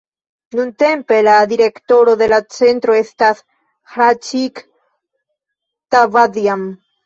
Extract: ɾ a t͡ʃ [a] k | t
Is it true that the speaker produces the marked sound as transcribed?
no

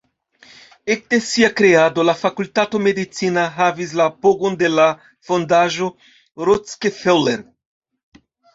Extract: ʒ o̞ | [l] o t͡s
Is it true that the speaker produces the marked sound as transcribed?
no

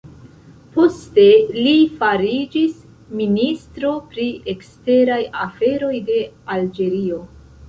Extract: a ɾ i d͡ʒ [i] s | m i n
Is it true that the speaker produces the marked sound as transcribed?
yes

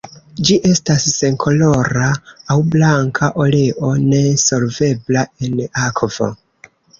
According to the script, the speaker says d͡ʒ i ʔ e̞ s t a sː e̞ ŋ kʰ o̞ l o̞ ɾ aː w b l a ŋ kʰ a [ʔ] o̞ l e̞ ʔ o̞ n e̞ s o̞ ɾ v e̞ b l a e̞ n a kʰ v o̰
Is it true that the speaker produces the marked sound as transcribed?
yes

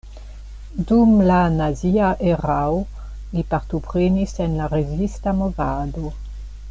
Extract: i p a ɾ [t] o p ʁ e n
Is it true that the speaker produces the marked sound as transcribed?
yes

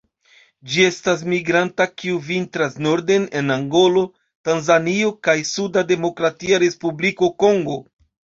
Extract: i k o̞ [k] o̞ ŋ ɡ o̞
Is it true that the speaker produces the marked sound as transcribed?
yes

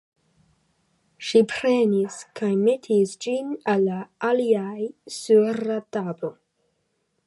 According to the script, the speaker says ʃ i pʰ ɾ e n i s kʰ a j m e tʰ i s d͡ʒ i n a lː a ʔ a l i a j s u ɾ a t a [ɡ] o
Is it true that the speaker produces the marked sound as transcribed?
no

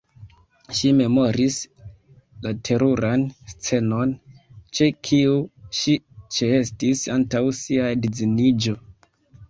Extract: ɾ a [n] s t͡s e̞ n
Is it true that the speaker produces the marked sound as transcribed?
yes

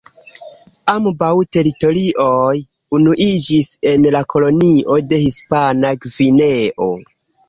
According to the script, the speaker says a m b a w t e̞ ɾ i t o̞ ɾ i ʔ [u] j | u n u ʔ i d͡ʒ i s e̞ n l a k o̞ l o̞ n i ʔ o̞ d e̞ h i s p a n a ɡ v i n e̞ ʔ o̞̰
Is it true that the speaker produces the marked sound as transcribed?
no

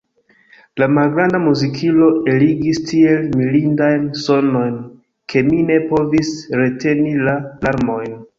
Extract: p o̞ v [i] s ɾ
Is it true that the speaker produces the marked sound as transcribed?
yes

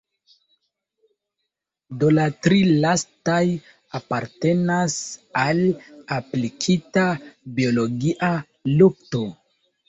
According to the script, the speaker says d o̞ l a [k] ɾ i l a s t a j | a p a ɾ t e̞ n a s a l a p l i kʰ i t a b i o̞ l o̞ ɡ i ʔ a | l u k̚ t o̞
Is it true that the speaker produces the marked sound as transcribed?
no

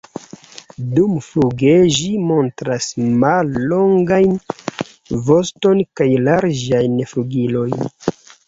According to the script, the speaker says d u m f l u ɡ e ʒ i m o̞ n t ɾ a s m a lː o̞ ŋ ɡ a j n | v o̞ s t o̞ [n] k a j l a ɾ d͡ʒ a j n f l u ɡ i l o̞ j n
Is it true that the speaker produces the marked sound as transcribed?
yes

